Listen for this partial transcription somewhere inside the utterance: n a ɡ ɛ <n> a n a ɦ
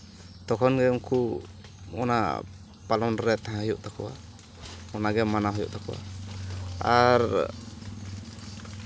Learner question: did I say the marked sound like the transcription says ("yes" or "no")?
no